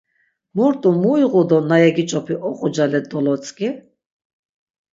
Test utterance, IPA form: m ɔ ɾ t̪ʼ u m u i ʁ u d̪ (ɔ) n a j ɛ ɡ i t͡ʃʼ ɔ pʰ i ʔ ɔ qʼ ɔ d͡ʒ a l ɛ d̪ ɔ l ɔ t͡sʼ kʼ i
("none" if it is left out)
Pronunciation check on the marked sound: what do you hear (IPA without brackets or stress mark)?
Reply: ɔ